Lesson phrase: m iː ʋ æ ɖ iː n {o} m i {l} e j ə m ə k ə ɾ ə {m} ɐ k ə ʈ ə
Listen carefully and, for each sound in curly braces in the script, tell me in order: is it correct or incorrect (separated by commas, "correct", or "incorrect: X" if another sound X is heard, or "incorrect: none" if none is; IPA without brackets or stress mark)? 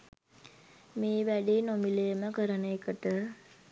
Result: correct, correct, incorrect: n